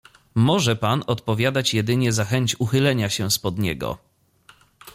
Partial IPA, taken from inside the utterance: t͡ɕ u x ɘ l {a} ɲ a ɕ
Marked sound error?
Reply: yes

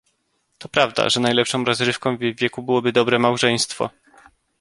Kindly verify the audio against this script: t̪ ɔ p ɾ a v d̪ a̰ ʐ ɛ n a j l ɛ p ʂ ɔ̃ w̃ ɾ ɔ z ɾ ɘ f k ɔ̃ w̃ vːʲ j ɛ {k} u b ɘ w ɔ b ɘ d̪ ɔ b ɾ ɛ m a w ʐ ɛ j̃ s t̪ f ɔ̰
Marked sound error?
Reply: no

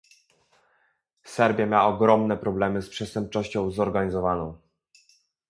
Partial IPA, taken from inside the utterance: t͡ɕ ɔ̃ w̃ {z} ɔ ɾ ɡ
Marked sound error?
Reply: no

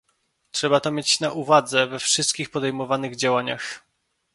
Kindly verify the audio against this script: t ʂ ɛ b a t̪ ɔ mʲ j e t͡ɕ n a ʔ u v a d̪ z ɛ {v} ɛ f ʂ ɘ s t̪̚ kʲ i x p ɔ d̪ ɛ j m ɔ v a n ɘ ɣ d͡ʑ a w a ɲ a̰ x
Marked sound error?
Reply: no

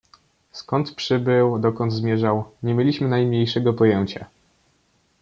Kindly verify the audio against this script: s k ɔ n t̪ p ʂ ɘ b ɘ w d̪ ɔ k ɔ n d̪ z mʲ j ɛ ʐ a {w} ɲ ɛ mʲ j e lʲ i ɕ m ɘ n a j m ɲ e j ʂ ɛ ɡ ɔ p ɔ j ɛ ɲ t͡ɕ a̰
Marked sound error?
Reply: no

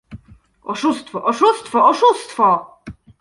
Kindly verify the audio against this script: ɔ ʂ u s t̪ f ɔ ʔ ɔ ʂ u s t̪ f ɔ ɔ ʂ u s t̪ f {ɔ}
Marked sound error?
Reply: no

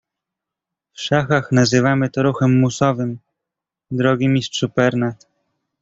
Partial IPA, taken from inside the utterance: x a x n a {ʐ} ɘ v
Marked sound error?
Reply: yes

